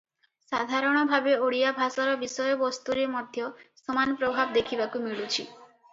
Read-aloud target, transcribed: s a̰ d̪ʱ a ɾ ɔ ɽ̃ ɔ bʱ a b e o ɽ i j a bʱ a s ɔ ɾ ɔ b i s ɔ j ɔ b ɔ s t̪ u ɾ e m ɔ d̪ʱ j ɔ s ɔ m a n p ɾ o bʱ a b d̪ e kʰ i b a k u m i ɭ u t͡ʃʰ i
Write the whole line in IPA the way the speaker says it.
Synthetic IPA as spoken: s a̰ d̪ʱ a ɾ ɔ ɽ̃ ɔ bʱ a b e o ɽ i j a bʱ a s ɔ ɾ ɔ b i s ɔ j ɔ b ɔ s t̪ u ɾ e m ɔ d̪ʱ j ɔ s ɔ m a n p ɾ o bʱ a b d̪ e kʰ i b a k u m i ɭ u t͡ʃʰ i